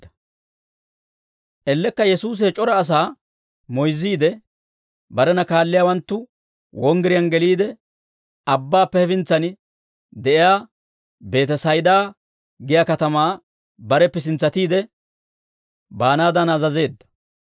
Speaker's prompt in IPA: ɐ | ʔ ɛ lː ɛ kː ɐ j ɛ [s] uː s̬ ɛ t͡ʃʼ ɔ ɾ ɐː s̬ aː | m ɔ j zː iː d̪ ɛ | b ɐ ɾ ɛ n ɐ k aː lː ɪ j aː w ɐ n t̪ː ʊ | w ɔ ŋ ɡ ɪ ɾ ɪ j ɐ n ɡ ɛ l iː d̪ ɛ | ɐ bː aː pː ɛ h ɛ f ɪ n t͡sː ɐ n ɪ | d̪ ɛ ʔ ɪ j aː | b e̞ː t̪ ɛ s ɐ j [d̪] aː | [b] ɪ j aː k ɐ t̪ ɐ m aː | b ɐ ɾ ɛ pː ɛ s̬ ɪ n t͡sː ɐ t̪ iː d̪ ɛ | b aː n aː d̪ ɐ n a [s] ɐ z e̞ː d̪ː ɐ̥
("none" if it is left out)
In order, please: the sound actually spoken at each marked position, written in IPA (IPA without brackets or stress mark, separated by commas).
s, d̪, ɡ, z